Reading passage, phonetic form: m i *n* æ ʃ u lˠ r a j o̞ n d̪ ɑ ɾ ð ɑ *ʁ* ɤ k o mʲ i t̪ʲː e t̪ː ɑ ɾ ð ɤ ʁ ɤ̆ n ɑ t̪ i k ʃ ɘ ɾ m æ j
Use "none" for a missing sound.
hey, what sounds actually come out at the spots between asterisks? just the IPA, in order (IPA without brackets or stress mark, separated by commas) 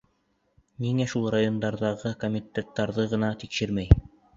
ŋ, ʁ